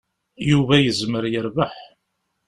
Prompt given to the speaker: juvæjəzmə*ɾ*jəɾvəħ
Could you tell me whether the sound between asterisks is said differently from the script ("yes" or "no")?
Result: no